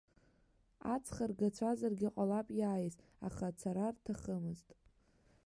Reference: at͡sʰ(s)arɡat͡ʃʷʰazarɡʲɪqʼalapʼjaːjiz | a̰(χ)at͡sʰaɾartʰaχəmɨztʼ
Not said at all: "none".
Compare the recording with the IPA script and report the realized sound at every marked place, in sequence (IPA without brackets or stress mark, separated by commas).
χ, χ